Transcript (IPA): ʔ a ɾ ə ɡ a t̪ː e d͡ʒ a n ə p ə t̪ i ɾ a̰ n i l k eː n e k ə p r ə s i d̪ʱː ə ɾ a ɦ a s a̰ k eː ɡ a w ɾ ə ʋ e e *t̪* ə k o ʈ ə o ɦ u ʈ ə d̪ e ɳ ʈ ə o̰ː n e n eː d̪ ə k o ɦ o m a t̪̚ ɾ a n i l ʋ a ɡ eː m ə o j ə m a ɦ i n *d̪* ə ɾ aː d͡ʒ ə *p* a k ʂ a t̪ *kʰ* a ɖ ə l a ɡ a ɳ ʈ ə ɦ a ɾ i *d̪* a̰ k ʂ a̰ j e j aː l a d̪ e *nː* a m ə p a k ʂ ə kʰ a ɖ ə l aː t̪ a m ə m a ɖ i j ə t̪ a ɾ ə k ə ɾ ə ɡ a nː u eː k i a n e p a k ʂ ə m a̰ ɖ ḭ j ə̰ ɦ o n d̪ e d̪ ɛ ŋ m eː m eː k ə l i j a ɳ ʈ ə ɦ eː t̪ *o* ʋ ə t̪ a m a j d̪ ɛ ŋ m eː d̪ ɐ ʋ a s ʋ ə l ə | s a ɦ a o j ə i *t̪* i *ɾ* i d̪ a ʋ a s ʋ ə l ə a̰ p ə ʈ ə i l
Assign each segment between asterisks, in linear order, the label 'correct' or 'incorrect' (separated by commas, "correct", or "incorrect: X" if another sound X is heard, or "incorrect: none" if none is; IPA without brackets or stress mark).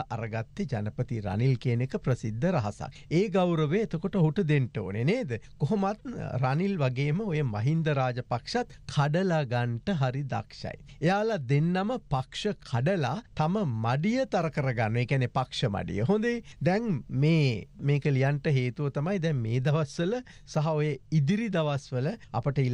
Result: correct, correct, correct, correct, correct, correct, incorrect: u, incorrect: d̪, correct